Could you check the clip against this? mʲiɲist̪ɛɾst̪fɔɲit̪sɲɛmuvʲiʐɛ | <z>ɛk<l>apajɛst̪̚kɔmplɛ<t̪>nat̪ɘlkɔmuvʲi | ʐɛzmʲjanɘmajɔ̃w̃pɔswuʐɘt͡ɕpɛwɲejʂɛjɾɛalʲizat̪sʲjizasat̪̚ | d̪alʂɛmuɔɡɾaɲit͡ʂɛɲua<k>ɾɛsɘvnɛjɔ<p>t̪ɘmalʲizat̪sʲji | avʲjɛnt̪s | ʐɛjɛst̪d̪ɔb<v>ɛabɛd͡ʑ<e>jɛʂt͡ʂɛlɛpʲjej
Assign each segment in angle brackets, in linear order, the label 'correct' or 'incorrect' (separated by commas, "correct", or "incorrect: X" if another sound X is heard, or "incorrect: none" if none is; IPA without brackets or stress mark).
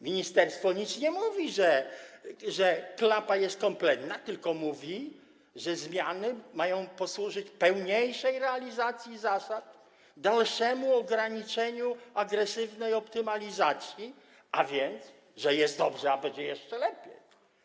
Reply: incorrect: ʐ, correct, correct, incorrect: ɡ, correct, incorrect: ʐ, incorrect: ɛ